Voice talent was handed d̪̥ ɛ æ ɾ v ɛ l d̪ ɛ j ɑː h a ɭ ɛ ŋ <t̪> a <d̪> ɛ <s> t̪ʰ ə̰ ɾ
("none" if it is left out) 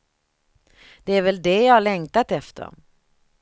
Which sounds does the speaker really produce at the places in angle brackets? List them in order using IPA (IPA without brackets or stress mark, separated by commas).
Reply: t̪, t̪, f